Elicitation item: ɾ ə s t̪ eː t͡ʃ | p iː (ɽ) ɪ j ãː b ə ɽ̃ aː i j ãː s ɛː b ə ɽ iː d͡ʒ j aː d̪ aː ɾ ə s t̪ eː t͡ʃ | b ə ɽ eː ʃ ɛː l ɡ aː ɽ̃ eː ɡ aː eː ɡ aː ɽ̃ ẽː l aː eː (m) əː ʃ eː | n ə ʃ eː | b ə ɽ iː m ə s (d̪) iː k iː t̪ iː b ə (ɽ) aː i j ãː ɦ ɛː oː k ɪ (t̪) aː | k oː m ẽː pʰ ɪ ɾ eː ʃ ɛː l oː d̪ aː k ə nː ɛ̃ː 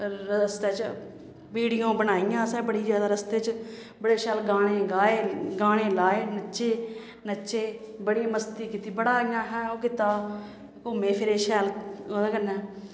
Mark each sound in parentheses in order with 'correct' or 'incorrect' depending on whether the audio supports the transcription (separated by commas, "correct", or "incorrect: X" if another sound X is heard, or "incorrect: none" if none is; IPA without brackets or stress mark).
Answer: correct, incorrect: n, incorrect: t̪, correct, correct